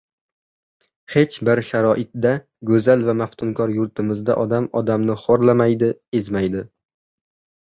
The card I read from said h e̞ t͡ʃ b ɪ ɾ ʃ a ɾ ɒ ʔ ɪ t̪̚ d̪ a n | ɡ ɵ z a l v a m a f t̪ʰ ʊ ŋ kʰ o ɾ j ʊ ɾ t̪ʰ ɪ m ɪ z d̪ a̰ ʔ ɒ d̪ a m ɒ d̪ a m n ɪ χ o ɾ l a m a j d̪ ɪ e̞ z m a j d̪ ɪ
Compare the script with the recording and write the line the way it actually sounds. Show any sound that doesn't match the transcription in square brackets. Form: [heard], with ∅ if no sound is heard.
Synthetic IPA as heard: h e̞ t͡ʃ b ɪ ɾ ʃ a ɾ ɒ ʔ ɪ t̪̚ d̪ a [∅] | ɡ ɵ z a l v a m a f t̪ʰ ʊ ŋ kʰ [ɒ] ɾ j ʊ ɾ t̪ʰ ɪ m ɪ z d̪ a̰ ʔ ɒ d̪ a m ɒ d̪ a m n ɪ χ o ɾ l a m a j d̪ ɪ e̞ z m a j d̪ ɪ